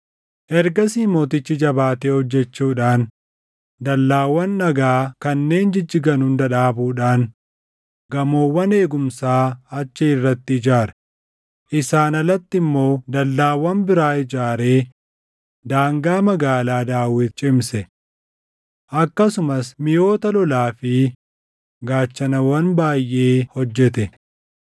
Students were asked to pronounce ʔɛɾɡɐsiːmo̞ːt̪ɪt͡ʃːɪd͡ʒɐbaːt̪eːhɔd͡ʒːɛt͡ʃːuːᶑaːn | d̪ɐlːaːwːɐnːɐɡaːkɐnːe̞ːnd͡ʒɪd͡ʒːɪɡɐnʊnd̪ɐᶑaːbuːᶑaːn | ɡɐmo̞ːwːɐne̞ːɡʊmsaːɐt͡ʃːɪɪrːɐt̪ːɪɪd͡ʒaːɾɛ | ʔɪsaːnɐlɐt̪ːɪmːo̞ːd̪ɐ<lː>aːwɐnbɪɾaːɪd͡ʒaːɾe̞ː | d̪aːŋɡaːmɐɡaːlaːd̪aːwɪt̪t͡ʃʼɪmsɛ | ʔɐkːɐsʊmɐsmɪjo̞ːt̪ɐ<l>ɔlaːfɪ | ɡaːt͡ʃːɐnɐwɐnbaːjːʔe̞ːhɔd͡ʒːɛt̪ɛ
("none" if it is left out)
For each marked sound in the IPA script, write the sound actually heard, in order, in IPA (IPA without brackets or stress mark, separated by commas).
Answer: lː, l